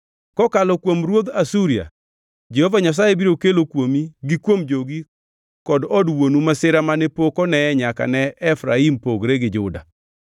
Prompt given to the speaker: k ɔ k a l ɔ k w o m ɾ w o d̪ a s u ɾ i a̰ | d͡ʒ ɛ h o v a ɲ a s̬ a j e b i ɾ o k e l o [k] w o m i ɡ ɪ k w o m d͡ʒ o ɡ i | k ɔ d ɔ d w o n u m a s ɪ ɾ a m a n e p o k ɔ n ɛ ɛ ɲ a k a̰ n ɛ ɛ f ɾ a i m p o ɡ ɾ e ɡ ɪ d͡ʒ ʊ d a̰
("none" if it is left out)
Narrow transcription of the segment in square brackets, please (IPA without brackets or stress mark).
k